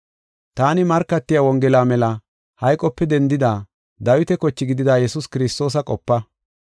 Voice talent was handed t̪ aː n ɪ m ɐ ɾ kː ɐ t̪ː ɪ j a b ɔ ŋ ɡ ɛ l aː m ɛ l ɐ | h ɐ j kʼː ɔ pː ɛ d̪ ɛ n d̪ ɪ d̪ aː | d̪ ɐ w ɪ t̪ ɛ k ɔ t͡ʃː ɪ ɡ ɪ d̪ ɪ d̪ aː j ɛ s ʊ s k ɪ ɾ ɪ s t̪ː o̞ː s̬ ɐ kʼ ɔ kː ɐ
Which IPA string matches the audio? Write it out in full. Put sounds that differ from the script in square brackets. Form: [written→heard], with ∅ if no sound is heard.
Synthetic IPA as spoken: t̪ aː n ɪ m ɐ ɾ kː ɐ t̪ː ɪ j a [b→w] ɔ ŋ ɡ ɛ l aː m ɛ l ɐ | h ɐ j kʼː ɔ pː ɛ d̪ ɛ n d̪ ɪ d̪ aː | d̪ ɐ w ɪ t̪ ɛ k ɔ t͡ʃː ɪ ɡ ɪ d̪ ɪ d̪ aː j ɛ s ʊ s k ɪ ɾ ɪ s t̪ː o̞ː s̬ ɐ kʼ ɔ [kː→pː] ɐ